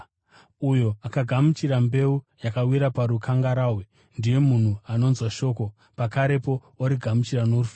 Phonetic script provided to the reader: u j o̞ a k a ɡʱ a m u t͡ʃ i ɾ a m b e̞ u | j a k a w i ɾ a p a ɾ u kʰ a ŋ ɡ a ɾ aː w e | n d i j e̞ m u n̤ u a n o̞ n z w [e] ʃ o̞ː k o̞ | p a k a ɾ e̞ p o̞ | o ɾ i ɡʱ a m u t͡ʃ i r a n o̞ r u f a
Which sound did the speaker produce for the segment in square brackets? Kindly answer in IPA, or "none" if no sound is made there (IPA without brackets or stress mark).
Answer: a